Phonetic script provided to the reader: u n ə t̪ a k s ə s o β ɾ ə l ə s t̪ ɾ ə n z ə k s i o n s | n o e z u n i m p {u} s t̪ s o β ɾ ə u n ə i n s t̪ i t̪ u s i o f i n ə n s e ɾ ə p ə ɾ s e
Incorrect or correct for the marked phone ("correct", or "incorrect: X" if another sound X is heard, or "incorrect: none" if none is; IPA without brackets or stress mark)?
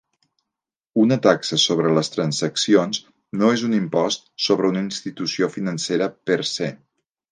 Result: incorrect: ɔ